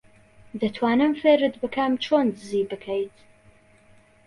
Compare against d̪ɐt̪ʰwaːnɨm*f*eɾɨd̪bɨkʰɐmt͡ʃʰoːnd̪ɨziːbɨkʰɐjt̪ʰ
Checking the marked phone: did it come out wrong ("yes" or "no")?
no